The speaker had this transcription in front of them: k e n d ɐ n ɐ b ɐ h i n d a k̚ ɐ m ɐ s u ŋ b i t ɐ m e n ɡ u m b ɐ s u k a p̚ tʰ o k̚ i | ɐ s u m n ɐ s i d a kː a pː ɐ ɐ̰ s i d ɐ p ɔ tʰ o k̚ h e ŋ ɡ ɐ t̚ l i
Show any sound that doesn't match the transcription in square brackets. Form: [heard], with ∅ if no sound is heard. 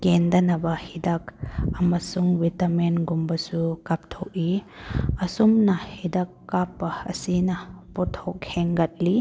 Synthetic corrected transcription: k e n d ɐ n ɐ b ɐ h i [∅] d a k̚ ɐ m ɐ s u ŋ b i t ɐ m e n ɡ u m b ɐ s u k a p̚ tʰ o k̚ i | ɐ s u m n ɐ [h] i d a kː a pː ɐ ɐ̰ s i [n] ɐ p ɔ tʰ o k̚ h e ŋ ɡ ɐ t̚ l i